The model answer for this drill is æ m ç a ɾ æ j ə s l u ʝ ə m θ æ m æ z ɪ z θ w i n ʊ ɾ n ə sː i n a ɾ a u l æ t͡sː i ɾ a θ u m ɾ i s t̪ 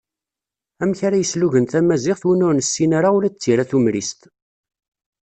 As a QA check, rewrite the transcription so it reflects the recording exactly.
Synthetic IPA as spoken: æ m ç a ɾ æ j ə s l u ʝ ə n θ æ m æ z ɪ ʁ θ w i n ʊ ɾ n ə sː i n a ɾ a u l æ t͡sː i ɾ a θ u m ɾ i s t̪